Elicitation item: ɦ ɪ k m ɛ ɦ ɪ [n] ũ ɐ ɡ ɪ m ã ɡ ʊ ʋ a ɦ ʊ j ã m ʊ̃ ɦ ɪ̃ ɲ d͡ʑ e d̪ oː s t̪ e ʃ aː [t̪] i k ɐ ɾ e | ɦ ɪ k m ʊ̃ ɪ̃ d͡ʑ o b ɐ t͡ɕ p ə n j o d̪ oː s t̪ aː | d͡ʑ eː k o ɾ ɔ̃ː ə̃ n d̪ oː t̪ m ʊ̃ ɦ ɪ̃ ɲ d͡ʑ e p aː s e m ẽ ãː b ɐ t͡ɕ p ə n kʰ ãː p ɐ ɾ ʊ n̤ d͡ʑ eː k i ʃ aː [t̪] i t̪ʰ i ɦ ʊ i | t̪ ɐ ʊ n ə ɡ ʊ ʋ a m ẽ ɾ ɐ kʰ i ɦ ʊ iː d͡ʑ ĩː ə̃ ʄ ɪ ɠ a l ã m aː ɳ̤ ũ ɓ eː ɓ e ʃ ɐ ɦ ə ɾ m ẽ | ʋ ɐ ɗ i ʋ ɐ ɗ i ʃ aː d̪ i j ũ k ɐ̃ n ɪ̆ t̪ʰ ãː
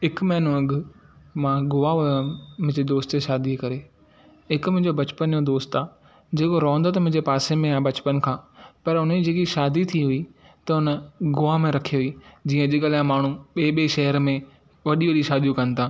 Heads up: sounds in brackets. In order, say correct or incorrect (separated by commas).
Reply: correct, incorrect, incorrect